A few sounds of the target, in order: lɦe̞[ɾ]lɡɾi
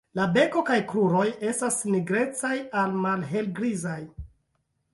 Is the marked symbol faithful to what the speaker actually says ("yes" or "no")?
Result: no